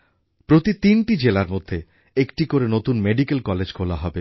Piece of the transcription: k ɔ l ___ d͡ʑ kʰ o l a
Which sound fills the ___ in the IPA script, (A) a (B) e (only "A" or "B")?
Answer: B